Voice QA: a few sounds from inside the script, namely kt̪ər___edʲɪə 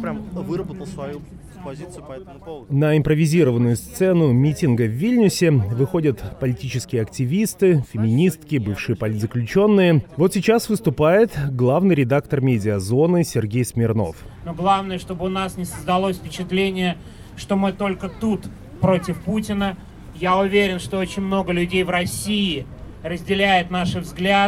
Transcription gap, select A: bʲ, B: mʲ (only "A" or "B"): B